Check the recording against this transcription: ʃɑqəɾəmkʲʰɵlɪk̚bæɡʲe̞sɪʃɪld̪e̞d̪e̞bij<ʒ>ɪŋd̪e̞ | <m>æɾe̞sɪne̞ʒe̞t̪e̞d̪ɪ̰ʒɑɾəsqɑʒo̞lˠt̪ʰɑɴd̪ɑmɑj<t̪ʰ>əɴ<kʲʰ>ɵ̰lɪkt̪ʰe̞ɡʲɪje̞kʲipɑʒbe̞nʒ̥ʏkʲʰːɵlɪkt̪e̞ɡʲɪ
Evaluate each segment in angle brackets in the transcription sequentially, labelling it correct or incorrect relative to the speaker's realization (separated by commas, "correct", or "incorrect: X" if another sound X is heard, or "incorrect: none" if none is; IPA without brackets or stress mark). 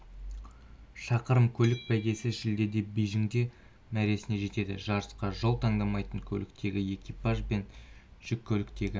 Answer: correct, correct, incorrect: t̪, correct